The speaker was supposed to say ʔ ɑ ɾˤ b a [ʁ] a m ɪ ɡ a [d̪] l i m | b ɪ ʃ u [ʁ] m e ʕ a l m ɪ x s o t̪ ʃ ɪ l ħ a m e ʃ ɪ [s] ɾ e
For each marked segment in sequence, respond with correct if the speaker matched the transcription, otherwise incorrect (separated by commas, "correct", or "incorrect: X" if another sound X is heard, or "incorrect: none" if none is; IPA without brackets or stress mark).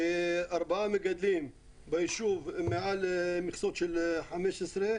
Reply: incorrect: ʕ, correct, incorrect: v, correct